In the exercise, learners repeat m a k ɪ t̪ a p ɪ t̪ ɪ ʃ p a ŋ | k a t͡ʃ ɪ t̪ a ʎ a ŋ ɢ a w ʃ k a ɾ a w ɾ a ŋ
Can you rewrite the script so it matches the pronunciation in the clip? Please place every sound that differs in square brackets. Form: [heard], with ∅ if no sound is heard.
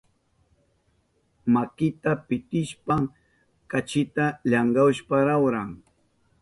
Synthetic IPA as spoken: m a k ɪ t̪ a p ɪ t̪ ɪ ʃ p a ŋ | k a t͡ʃ ɪ t̪ a ʎ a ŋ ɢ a w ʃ [p] a ɾ a w ɾ a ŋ